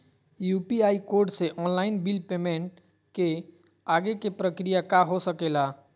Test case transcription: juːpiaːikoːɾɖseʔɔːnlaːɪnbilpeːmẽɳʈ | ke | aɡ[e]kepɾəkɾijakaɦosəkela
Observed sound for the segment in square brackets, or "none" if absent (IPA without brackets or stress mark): e